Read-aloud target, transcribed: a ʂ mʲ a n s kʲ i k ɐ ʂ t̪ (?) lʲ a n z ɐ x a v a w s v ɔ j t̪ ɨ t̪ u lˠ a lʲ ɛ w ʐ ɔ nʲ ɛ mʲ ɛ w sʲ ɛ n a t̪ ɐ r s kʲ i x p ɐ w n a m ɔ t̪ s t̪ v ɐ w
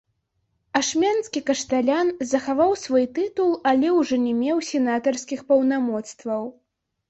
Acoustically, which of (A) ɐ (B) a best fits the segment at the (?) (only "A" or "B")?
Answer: B